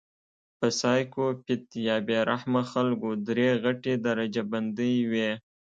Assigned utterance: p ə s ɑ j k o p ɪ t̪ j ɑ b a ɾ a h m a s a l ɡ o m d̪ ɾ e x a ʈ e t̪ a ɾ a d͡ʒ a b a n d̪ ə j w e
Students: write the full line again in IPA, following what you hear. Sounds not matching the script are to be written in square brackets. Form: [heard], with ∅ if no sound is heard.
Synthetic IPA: p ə s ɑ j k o p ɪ t̪ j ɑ b [e] ɾ a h m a [x] a l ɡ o [∅] d̪ ɾ e [ɣ] a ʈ e [d̪] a ɾ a d͡ʒ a b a n d̪ ə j w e